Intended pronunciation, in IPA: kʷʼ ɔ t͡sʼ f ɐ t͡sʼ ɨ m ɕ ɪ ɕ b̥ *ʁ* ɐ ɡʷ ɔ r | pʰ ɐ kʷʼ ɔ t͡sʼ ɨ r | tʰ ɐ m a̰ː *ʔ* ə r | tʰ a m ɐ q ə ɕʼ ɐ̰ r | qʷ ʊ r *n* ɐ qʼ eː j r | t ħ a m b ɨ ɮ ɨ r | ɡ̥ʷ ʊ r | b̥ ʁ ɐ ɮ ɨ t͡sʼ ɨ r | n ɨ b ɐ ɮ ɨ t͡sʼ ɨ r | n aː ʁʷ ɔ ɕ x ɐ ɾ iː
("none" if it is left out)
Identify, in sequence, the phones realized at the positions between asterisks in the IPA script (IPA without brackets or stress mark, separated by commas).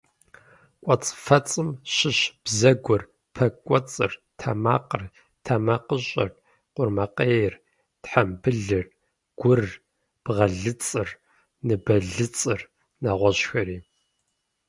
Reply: z, q, m